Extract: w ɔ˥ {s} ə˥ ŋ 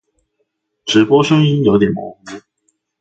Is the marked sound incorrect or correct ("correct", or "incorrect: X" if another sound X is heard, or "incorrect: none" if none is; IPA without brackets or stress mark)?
incorrect: ʂ